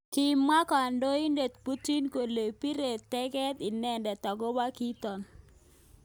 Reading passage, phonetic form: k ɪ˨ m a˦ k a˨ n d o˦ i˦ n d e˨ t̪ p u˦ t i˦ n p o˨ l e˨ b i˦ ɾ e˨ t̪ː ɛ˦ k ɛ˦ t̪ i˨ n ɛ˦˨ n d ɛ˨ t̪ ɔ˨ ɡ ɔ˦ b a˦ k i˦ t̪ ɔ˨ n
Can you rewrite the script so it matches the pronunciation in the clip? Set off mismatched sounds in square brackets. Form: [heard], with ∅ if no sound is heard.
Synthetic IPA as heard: k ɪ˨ m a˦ k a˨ n d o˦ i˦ n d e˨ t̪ p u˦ t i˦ n [k] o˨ l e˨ [p] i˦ ɾ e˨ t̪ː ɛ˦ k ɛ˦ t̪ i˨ n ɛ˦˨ n d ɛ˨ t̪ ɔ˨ ɡ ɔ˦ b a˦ k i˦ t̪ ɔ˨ n